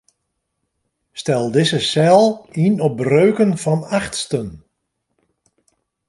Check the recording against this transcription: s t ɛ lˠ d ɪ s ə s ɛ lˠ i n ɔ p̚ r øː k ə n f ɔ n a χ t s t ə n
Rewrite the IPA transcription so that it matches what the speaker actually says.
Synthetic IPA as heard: s t ɛ lˠ d ɪ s ə s ɛ lˠ i n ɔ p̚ r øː k ə n f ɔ n a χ t s t ə n

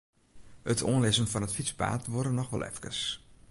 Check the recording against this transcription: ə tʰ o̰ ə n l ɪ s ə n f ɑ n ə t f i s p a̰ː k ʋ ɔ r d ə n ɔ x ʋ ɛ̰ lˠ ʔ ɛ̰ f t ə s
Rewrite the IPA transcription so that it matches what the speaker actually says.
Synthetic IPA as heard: ə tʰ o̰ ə n l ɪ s ə n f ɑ n ə t f i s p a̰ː t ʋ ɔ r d ə n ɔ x ʋ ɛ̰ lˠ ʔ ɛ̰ f k ə s

